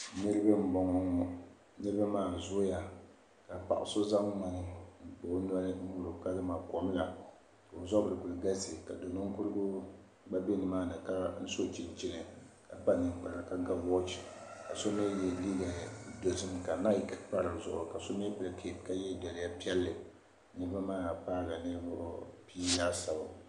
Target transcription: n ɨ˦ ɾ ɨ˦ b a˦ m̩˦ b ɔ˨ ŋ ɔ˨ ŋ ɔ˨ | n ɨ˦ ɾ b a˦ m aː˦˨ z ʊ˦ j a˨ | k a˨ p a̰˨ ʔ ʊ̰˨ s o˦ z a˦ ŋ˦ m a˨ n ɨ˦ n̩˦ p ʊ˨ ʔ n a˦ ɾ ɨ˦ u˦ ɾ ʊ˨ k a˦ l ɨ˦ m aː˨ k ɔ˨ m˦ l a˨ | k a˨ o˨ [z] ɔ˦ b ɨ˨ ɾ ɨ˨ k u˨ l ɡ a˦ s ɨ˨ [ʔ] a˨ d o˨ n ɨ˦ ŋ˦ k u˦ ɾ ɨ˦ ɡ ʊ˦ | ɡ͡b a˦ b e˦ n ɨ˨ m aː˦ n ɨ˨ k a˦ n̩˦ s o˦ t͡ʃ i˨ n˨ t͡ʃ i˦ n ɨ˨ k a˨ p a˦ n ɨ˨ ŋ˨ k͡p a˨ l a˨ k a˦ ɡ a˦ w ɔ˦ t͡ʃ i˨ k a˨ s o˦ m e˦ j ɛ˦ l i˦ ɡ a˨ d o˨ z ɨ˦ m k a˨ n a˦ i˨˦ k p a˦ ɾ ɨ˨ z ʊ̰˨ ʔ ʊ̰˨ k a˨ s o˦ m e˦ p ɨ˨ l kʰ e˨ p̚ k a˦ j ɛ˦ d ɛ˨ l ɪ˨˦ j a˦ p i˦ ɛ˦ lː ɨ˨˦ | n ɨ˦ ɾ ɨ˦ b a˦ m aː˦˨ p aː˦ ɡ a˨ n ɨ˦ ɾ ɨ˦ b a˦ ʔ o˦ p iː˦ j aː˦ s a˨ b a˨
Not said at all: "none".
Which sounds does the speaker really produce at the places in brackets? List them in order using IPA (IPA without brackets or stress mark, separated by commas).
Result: z, k